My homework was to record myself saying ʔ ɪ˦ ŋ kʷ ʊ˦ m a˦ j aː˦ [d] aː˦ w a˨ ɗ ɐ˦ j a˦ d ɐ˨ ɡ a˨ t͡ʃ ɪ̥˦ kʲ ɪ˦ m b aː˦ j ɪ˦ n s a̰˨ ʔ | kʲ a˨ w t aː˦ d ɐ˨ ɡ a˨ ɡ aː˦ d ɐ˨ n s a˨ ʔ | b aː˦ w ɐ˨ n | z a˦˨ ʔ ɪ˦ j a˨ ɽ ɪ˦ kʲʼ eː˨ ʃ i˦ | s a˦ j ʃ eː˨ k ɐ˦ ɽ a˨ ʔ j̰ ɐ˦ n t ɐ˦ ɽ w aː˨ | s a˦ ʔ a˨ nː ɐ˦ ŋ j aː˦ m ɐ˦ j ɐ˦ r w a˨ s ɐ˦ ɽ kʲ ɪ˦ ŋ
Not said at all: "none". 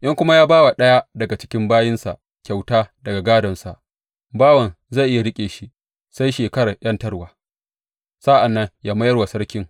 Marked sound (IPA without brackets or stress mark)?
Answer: b